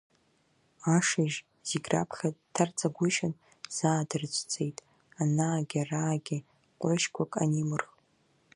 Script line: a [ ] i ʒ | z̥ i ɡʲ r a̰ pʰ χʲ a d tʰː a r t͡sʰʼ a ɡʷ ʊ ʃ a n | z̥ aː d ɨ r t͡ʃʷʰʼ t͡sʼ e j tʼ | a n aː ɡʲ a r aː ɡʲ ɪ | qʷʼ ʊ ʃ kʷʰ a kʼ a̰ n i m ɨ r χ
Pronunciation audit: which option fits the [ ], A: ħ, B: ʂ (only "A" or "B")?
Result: B